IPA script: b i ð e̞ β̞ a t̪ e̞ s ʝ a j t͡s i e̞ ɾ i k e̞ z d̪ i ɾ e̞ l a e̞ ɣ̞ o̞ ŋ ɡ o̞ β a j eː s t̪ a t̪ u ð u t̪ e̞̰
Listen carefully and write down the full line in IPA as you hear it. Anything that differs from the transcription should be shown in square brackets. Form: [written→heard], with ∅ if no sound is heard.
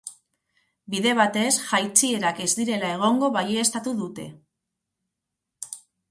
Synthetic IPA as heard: b i ð e̞ β̞ a t̪ e̞ s ʝ a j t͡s i e̞ ɾ [i→a] k e̞ z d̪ i ɾ e̞ l a e̞ ɣ̞ o̞ ŋ ɡ o̞ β a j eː s t̪ a t̪ u ð u t̪ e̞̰